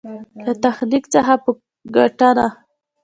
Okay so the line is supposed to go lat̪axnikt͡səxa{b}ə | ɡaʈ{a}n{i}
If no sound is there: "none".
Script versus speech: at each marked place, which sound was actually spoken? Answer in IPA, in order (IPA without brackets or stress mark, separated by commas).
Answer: p, a, a